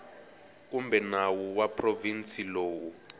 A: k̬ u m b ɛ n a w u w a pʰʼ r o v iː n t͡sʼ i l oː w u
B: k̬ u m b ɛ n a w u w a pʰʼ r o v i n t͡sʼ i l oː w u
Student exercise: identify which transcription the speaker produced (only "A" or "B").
B